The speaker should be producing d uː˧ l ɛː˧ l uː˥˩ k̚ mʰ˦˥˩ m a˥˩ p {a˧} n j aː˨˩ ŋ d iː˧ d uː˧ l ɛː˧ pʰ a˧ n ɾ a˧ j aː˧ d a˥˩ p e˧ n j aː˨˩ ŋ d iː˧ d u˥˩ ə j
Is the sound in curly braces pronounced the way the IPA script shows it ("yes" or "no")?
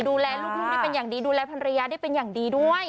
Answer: no